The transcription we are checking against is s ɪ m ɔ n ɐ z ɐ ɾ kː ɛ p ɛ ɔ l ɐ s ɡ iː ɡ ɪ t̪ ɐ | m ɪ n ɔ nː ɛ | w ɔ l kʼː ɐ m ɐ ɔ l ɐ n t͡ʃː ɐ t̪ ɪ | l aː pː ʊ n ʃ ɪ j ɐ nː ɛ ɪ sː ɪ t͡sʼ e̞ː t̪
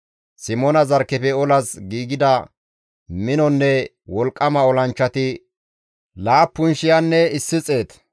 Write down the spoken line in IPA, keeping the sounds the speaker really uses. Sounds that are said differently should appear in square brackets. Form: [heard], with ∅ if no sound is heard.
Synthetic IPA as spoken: s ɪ m ɔ n ɐ z ɐ ɾ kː ɛ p ɛ ɔ l ɐ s ɡ iː ɡ ɪ [d̪] ɐ | m ɪ n ɔ nː ɛ | w ɔ l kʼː ɐ m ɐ ɔ l ɐ n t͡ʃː ɐ t̪ ɪ | l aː pː ʊ n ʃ ɪ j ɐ nː ɛ ɪ sː ɪ t͡sʼ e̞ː t̪